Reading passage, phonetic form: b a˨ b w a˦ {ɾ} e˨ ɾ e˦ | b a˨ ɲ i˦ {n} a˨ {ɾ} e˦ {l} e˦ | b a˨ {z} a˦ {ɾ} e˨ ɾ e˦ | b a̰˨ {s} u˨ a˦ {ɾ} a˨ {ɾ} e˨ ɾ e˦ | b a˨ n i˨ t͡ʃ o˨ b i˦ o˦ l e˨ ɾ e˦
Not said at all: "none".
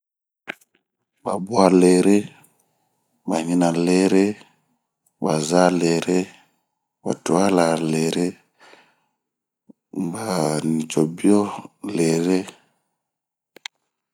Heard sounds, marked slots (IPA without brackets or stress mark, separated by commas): l, n, l, ɾ, z, l, t, l, l